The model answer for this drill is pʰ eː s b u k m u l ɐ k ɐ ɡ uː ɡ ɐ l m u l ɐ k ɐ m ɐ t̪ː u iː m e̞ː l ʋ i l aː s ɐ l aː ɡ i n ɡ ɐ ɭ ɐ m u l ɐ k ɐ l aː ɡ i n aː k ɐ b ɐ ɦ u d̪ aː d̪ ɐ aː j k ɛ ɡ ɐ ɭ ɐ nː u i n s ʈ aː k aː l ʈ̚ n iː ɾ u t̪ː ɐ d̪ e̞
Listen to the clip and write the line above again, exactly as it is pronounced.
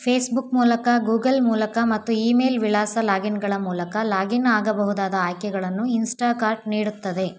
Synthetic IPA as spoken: pʰ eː s b u k m uː l ɐ k ɐ ɡ uː ɡ ɐ l m uː l ɐ k ɐ m ɐ t̪ː u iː m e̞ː l ʋ i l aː s ɐ l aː ɡ i n ɡ ɐ ɭ ɐ m uː l ɐ k ɐ l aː ɡ i n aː ɡ ɐ b ɐ ɦ u d̪ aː d̪ ɐ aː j k ɛ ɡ ɐ ɭ ɐ nː u i n s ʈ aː k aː ɾ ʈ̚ n iː ɽ u t̪ː ɐ d̪ e̞